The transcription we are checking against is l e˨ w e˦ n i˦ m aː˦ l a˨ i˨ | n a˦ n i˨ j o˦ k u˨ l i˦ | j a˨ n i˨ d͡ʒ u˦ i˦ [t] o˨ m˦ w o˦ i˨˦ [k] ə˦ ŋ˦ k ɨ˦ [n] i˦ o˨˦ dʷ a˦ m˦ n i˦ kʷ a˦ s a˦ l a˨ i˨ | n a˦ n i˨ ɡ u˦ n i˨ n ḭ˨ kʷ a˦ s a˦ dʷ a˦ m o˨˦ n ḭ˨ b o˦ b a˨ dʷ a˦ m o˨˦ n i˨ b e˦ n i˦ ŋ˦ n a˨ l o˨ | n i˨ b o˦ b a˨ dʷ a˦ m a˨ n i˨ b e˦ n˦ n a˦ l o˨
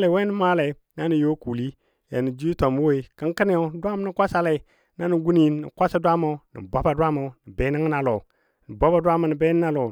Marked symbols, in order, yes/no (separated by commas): yes, yes, yes